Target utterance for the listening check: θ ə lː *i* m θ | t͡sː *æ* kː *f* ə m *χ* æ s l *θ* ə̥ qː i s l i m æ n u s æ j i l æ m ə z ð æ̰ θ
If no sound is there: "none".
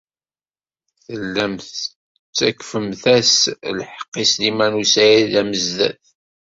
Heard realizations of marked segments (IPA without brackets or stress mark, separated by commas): æ, æ, f, θ, ħ